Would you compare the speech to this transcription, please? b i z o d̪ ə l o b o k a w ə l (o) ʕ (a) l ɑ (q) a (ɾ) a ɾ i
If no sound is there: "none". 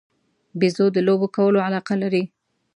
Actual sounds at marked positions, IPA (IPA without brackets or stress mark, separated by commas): o, a, q, l